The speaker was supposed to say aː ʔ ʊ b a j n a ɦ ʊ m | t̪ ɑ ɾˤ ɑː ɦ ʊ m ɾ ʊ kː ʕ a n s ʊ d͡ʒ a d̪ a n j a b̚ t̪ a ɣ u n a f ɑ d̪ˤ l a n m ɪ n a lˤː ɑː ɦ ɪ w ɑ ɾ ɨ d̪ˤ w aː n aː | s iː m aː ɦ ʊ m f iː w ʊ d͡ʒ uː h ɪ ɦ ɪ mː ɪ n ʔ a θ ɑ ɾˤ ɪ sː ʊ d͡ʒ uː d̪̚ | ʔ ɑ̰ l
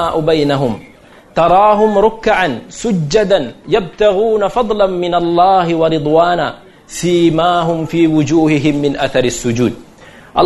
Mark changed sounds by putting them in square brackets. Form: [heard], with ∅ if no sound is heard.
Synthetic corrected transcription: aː ʔ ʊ b a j n a ɦ ʊ m | t̪ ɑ ɾˤ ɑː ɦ ʊ m ɾ ʊ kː ʕ a n s ʊ [d͡ʒː] a d̪ a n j a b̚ t̪ a ɣ [uː] n a f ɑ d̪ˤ l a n m ɪ n a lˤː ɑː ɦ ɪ w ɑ ɾ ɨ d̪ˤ w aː n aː | s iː m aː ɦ ʊ m f iː w ʊ d͡ʒ uː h ɪ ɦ ɪ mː ɪ n ʔ a θ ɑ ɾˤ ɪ sː ʊ d͡ʒ uː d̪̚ | ʔ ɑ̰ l